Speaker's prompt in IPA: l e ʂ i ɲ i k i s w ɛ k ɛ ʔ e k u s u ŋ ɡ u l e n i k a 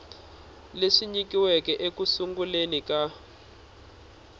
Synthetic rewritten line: l e ʂ i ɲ i k i w ɛ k ɛ ʔ e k u s u ŋ ɡ u l e n i k a